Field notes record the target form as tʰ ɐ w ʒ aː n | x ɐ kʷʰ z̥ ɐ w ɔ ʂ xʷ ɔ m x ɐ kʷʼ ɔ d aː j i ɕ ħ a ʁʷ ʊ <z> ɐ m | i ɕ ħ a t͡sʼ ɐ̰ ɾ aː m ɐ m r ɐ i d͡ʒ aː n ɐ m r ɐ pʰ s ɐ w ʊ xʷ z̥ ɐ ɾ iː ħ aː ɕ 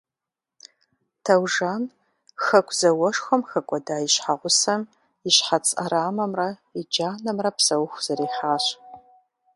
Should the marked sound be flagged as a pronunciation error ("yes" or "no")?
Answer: yes